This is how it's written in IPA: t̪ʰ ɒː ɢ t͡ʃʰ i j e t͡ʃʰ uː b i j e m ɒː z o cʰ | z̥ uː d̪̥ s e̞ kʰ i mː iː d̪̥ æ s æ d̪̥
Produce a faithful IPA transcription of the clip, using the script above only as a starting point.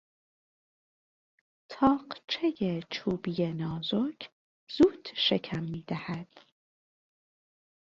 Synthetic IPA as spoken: t̪ʰ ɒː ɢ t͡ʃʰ e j e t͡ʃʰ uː b i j e n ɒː z o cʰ | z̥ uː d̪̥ ʃ e̞ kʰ æ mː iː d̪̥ æ h æ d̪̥